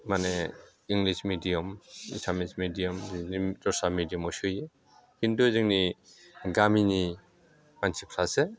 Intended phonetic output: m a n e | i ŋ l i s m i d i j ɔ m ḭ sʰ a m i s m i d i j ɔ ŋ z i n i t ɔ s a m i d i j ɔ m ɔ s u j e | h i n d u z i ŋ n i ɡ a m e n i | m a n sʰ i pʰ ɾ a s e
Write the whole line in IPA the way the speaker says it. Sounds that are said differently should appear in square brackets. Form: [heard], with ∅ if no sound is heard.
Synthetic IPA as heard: m a n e | i ŋ l i s m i d i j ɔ m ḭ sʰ a m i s m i d i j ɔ [m] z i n i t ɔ s a m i d i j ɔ m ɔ s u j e | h i n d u z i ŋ n i ɡ a m [i] n i | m a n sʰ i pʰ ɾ a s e